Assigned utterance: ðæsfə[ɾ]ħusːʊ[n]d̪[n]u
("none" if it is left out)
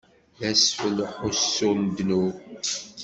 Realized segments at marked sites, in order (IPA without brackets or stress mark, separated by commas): l, n, n